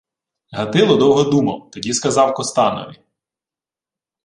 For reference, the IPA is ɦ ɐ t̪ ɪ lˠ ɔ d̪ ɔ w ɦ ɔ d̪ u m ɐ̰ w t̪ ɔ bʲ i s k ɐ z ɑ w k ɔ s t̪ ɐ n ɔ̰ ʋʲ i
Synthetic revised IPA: ɦ ɐ t̪ ɪ lˠ ɔ d̪ ɔ w ɦ ɔ d̪ u m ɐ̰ w t̪ ɔ dʲ i s k ɐ z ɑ w k ɔ s t̪ ɑ n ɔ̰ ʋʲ i